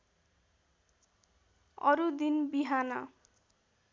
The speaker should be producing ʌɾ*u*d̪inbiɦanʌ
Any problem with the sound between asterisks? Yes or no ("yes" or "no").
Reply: no